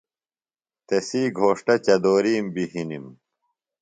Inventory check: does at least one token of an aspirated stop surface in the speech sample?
no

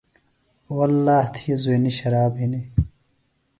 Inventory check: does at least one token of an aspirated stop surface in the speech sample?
yes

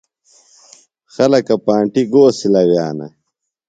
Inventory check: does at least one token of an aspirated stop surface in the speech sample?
no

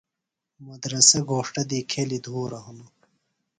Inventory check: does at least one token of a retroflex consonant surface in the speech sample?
yes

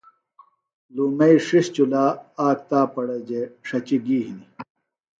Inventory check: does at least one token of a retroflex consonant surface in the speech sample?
yes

